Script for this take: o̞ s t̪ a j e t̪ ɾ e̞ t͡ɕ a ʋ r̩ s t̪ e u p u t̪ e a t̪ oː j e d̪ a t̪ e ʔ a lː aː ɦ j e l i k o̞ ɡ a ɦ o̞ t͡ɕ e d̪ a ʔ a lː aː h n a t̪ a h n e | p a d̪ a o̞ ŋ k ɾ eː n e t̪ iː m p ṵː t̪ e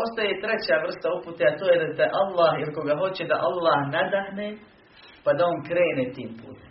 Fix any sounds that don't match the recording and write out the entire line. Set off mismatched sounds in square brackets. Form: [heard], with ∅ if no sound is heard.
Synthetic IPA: o̞ s t̪ a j e t̪ ɾ e̞ t͡ɕ a ʋ r̩ s t̪ [a] u p u t̪ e a t̪ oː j e d̪ a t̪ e ʔ a lː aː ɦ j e l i k o̞ ɡ a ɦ o̞ t͡ɕ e d̪ a ʔ a lː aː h n a [d̪] a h n e | p a d̪ a o̞ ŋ k ɾ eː n e t̪ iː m p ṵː t̪ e